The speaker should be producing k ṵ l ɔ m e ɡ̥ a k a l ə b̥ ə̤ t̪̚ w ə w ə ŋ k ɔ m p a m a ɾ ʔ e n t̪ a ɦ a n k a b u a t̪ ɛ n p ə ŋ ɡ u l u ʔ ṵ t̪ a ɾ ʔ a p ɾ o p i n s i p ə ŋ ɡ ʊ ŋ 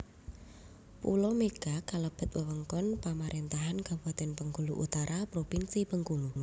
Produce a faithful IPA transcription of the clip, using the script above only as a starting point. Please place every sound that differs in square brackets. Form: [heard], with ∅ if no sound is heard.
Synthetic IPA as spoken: [p] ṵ l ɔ m e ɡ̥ a k a l ə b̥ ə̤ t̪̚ w ə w ə ŋ k ɔ [n] p a m a ɾ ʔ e n t̪ a ɦ a n k a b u a t̪ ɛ n p ə ŋ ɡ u l u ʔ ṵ t̪ a ɾ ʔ a p ɾ o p i n s i p ə ŋ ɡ [u] ŋ